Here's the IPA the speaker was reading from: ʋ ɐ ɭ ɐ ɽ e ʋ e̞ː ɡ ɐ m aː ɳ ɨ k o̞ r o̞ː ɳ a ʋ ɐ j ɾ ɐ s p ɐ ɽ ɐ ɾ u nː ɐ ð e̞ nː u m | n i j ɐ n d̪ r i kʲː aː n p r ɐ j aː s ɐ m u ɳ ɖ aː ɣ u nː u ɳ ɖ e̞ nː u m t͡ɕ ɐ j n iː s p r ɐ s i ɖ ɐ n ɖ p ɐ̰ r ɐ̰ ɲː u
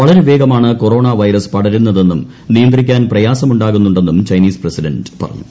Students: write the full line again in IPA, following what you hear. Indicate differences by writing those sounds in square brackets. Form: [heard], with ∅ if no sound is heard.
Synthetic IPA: ʋ ɐ ɭ ɐ [ɾ] e ʋ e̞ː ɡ ɐ m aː ɳ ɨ k o̞ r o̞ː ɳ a ʋ ɐ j ɾ ɐ s p ɐ ɽ ɐ ɾ u nː ɐ ð e̞ nː u m | n i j ɐ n d̪ r i kʲː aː n p r ɐ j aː s ɐ m u ɳ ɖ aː ɣ u nː u ɳ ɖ e̞ nː u m t͡ɕ ɐ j n iː s p r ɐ s i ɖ ɐ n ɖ p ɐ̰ r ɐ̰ ɲː u